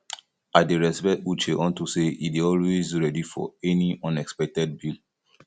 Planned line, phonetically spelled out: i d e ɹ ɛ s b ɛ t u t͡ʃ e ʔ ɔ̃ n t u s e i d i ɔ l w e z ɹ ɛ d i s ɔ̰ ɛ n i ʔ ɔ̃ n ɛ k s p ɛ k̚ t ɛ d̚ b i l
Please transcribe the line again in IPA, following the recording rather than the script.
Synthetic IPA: a d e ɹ ɛ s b ɛ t u t͡ʃ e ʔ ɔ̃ n t u s e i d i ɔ l w e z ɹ ɛ d i f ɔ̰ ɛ n i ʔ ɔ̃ n ɛ k s p ɛ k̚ t ɛ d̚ b i l